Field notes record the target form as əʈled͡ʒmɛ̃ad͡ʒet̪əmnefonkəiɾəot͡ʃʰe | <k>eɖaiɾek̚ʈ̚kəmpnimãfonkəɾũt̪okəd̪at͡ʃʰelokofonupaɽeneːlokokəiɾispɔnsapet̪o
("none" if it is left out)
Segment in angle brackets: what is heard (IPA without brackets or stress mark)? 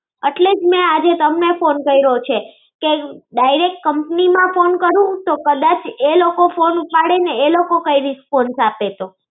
k